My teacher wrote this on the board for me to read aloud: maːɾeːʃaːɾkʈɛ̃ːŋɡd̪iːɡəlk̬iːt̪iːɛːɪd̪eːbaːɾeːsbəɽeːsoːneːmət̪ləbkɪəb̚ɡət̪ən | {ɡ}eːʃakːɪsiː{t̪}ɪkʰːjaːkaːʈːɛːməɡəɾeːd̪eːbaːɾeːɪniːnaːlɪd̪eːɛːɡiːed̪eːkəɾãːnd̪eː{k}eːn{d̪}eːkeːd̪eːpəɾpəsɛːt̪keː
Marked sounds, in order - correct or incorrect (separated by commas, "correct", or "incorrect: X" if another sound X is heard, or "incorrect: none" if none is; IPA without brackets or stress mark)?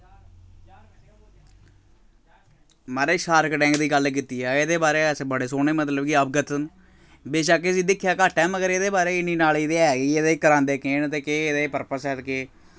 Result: incorrect: b, incorrect: d̪, correct, incorrect: t̪